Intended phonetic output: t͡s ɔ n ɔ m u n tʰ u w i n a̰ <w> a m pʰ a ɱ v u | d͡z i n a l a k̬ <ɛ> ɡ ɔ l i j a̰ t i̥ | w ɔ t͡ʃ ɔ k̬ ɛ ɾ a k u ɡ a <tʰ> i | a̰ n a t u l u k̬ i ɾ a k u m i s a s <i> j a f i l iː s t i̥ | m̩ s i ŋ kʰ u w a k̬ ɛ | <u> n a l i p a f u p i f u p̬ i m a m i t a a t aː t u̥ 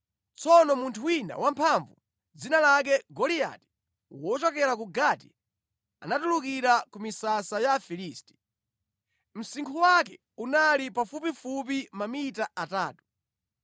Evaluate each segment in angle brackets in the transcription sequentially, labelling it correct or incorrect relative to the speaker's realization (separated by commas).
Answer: correct, correct, incorrect, incorrect, correct